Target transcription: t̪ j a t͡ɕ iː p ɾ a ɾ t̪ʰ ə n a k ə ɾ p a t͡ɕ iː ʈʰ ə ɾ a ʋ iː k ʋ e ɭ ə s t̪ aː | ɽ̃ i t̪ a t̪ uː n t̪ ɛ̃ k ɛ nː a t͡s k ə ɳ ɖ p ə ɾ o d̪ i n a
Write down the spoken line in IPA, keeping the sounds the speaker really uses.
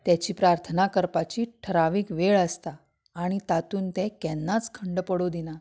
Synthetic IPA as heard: t̪ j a t͡ɕ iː p ɾ a ɾ t̪ʰ ə n a k ə ɾ p a t͡ɕ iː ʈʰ ə ɾ a ʋ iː k ʋ e ɭ ə s t̪ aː | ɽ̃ i t̪ a t̪ uː n t̪ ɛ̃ k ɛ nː a t͡s kʰ ə ɳ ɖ p ə ɽ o d̪ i n a